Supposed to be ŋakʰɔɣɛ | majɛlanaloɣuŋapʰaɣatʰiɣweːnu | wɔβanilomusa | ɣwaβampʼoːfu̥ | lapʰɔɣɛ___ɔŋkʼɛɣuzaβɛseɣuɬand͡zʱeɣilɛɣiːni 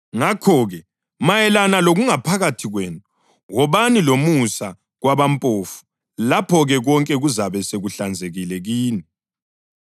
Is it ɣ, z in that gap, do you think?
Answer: ɣ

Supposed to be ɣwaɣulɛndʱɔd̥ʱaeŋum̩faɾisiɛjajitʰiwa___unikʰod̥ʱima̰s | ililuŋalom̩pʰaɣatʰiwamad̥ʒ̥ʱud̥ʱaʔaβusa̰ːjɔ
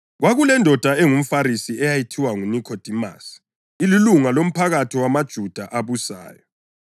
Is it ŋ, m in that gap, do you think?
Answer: ŋ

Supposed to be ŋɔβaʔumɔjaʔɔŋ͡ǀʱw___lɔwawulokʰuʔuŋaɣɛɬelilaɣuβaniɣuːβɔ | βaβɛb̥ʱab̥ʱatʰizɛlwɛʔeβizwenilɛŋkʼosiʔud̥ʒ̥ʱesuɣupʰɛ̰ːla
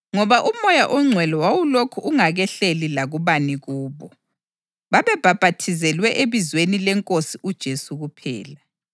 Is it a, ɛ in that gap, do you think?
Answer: ɛ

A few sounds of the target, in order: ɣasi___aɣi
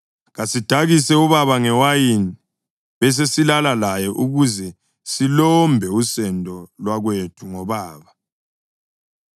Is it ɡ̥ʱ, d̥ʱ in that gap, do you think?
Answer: d̥ʱ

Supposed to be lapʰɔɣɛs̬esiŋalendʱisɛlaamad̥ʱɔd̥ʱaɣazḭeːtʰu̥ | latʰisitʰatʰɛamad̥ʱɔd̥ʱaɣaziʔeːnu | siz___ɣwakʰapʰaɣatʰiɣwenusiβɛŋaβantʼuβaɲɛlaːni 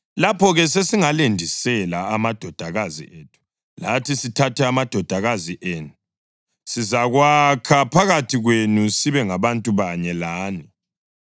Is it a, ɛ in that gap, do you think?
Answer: a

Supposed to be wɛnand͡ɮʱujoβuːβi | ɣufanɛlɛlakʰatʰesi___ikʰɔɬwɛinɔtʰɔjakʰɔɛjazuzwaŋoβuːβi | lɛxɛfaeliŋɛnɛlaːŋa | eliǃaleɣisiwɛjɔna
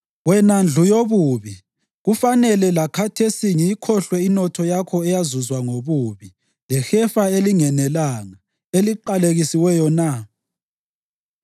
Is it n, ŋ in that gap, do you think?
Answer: ŋ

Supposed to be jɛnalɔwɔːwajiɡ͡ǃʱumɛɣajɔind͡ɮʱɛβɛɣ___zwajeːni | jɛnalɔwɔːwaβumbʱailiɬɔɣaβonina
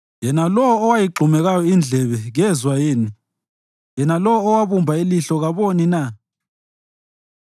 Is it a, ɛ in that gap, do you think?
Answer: ɛ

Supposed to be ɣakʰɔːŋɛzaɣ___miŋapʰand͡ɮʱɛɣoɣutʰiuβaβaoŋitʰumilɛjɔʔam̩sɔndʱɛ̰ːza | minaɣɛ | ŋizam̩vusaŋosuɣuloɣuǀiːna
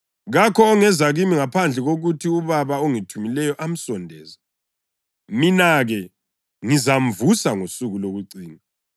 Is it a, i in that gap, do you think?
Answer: i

